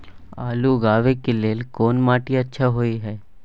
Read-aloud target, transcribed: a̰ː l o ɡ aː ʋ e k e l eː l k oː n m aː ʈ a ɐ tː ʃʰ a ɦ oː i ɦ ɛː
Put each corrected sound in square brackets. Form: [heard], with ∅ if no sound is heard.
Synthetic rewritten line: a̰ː l [u] ɡ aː ʋ e k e l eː l k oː n m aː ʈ [i] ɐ tː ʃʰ a ɦ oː i ɦ ɛː